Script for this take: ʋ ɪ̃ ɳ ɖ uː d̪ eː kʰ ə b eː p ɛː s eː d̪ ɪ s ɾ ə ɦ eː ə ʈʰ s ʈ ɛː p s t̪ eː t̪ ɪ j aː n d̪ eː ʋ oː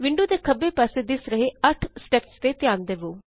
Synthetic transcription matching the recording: ʋ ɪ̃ ɳ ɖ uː d̪ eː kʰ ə b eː p ɛː s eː d̪ ɪ s ɾ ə ɦ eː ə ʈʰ s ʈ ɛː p s t̪ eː t̪ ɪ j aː n d̪ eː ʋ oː

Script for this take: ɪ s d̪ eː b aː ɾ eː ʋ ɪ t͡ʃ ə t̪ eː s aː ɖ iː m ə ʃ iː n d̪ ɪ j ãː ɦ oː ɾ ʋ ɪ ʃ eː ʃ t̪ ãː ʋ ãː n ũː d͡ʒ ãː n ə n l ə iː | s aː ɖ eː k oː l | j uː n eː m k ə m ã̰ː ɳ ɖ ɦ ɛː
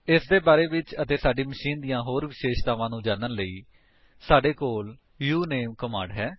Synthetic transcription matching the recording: ɪ s d̪ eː b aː ɾ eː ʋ ɪ t͡ʃ ə t̪ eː s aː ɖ iː m ə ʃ iː n d̪ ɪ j ãː ɦ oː ɾ ʋ ɪ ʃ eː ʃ t̪ aː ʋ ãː n ũː d͡ʒ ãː n ə n l ə iː | s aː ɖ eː k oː l | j uː n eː m k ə m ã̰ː ɳ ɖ ɦ ɛː

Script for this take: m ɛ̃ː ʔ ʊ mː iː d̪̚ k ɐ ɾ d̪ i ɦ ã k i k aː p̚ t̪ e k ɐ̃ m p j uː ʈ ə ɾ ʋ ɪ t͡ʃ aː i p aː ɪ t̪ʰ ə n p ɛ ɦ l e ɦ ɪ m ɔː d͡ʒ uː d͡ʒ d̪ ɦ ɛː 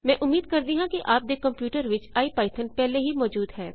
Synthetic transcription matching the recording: m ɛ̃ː ʔ ʊ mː iː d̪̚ k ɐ ɾ d̪ i ɦ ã k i ʔ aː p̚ d̪ e k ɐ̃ m p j uː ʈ ə ɾ ʋ ɪ t͡ʃ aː i p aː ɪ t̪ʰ ə n p ɛ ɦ l e ɦ i m ɔː d͡ʒ uː d̪ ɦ ɛː

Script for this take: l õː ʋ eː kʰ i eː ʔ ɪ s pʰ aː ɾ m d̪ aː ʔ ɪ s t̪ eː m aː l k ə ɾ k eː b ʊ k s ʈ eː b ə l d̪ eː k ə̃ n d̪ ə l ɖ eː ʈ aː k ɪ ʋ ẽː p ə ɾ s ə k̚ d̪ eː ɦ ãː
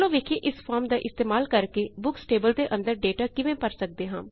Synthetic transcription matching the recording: l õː ʋ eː kʰ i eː ʔ ɪ s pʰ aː ɾ m d̪ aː ʔ ɪ s t̪ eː m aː l k ə ɾ k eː b ʊ k s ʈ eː b ə l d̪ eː ʔ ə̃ n d̪ ə ɾ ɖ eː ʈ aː k ɪ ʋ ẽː p ə ɾ s ə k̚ d̪ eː ɦ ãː

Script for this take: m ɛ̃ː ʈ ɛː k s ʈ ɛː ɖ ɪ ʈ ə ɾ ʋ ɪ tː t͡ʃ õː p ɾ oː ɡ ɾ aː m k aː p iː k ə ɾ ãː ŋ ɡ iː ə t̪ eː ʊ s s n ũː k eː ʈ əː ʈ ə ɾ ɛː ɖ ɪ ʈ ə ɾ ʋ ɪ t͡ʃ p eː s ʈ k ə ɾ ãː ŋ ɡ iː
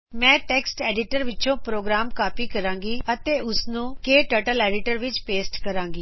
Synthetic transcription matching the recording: m ɛ̃ː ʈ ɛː k s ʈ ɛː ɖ ɪ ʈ ə ɾ ʋ ɪ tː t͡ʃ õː p ɾ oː ɡ ɾ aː m k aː p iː k ə ɾ ãː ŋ ɡ iː ə t̪ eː ʊ s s n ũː k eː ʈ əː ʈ ə l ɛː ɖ ɪ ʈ ə ɾ ʋ ɪ t͡ʃ p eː s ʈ k ə ɾ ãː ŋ ɡ iː

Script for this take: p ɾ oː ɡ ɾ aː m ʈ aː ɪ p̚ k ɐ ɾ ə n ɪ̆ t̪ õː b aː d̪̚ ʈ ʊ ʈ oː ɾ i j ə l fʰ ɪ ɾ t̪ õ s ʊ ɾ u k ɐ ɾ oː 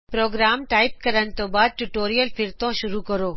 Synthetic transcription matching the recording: p ɾ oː ɡ ɾ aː m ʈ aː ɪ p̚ k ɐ ɾ ə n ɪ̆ t̪ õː b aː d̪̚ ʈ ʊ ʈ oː ɾ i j ə l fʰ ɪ ɾ t̪ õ ʃ ʊ ɾ u k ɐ ɾ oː

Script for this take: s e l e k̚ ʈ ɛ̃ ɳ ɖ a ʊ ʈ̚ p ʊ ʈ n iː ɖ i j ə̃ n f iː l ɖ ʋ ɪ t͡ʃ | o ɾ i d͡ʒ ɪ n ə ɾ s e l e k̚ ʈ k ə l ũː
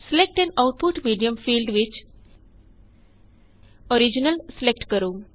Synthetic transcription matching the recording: s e l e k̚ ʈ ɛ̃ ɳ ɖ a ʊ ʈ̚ p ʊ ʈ m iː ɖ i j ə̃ m f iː l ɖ ʋ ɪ t͡ʃ | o ɾ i d͡ʒ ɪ n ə l s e l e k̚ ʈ k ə ɾ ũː

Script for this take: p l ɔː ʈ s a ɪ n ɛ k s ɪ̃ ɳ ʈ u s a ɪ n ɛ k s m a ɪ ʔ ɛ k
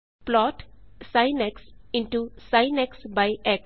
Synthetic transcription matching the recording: p l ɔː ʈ s a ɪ n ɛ k s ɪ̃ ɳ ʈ u s a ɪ n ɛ k s b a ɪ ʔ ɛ k

